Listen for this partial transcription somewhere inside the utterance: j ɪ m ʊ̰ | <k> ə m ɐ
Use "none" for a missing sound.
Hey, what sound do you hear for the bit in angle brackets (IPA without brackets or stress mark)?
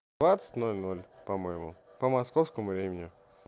p